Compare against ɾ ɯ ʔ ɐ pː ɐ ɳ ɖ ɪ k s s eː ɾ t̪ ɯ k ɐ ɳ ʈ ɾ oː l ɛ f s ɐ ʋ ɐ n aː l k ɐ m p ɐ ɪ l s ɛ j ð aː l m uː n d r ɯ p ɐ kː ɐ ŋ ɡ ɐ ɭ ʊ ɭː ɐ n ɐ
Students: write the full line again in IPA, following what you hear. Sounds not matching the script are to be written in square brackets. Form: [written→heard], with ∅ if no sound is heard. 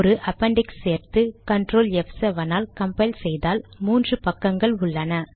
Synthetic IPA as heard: ɾ ɯ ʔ ɐ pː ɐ ɳ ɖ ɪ k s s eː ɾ t̪ ɯ k ɐ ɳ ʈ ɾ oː l ɛ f s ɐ ʋ ɐ n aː l k ɐ m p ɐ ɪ l s ɛ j ð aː l m uː n d r ɯ p ɐ kː ɐ ŋ ɡ ɐ ɭ ʊ ɭː ɐ n ɐ